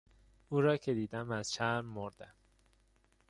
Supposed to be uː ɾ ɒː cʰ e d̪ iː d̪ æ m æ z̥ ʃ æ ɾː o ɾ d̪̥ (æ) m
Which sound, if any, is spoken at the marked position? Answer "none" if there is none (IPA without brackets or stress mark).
æ